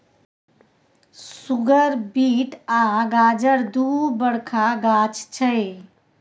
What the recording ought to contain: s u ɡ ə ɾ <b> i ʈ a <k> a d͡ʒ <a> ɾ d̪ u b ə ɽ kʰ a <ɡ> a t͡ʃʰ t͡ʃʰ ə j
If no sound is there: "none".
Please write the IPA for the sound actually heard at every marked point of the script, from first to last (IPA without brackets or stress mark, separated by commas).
b, ɡ, ə, ɡ